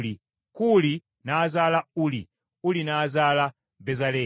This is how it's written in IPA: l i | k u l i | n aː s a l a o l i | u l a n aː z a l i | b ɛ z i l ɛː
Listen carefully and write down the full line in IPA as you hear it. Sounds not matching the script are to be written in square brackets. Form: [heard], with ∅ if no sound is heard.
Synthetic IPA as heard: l i | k u l i | n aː [z] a l a [u] l i | u l [i] n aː z a l [a] | b ɛ z [a] l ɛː